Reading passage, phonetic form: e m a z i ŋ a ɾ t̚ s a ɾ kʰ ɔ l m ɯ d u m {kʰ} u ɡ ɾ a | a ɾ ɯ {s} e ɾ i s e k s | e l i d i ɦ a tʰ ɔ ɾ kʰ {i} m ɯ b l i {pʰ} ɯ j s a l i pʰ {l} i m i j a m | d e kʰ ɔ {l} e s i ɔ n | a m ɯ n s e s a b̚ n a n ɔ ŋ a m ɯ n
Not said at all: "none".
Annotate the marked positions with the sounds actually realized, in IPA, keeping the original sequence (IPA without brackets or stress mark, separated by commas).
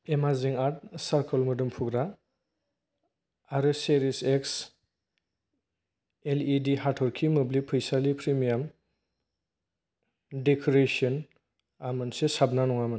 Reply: pʰ, s, i, pʰ, ɾ, ɾ